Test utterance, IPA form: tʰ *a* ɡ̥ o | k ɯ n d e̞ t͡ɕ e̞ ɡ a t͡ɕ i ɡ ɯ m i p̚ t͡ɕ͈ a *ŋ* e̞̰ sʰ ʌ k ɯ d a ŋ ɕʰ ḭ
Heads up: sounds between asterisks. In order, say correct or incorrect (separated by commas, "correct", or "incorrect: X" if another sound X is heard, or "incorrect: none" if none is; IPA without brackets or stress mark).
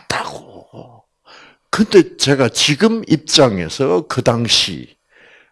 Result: correct, correct